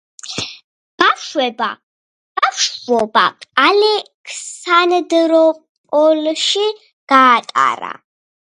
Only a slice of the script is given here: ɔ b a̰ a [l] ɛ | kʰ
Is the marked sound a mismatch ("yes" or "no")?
no